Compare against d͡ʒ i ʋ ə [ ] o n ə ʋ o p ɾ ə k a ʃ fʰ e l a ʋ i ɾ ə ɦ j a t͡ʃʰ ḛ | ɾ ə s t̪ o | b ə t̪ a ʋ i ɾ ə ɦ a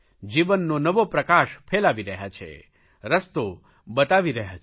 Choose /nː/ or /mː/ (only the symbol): nː